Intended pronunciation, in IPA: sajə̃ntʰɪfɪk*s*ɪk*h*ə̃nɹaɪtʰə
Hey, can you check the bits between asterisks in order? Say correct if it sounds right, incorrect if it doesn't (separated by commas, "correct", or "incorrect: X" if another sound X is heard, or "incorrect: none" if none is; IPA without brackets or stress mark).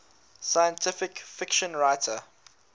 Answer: incorrect: f, incorrect: ʃ